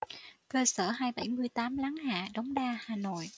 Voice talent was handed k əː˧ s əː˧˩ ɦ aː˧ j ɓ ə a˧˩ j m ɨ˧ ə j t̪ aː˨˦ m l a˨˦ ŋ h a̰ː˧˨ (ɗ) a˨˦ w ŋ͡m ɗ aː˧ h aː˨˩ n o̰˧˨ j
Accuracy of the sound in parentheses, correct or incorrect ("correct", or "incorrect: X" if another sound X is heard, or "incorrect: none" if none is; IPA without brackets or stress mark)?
correct